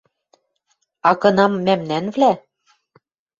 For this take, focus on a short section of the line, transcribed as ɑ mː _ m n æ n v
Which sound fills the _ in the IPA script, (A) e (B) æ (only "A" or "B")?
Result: B